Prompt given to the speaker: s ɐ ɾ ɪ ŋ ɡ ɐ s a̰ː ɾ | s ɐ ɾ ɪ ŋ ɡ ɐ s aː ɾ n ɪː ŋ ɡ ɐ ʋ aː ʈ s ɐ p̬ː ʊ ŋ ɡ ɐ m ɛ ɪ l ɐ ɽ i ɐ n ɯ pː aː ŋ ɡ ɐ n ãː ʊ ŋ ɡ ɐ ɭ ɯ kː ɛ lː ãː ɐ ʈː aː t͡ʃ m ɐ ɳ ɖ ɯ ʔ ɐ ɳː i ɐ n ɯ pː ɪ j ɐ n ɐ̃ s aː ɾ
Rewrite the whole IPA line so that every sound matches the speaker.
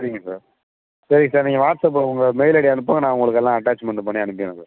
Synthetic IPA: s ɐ ɾ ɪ ŋ ɡ ɐ s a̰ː ɾ | s ɐ ɾ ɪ ŋ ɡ ɐ s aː ɾ n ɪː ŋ ɡ ɐ ʋ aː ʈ s ɐ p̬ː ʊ ŋ ɡ ɐ m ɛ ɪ l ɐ ɽ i ɐ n ɯ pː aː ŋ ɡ ɐ n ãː ʊ ŋ ɡ ɐ ɭ ɯ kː ɛ lː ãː ɐ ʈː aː t͡ʃ m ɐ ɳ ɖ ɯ p ɐ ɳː i ɐ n ɯ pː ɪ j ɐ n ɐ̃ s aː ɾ

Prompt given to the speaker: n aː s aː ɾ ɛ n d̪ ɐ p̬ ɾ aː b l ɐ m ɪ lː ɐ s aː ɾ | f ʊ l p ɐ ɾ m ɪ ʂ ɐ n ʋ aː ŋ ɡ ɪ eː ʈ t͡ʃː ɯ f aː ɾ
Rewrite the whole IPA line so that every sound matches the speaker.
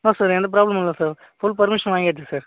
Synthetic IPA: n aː s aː ɾ ɛ n d̪ ɐ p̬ ɾ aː b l ɐ m ɪ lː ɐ s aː ɾ | f ʊ l p ɐ ɾ m ɪ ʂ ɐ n ʋ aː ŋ ɡ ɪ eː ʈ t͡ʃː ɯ s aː ɾ

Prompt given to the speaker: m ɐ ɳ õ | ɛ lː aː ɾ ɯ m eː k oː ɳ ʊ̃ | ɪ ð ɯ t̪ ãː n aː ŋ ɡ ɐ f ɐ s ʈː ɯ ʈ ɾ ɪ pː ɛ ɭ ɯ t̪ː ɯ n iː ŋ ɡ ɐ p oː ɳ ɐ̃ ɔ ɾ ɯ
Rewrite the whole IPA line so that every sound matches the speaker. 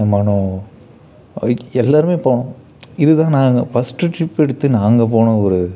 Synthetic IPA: m ɐ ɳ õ | ɛ lː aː ɾ ɯ m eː p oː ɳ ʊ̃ | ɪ ð ɯ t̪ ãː n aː ŋ ɡ ɐ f ɐ s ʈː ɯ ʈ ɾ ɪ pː ɛ ɽ ɯ t̪ː ɯ n aː ŋ ɡ ɐ p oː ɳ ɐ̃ ɔ ɾ ɯ

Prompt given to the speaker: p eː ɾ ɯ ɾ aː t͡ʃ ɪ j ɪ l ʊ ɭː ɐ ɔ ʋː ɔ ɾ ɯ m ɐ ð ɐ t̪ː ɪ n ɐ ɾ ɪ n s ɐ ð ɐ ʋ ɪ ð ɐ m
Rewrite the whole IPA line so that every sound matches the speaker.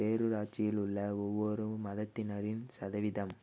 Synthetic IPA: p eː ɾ ɯ ɾ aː t͡ʃ ɪ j ɪ l ʊ ɭː ɐ ɔ ʋː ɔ ɾ ɯ m ɐ ð ɐ t̪ː ɪ n ɐ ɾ ɪ n s ɐ ð ɐ ʋ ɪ ð ɐ m

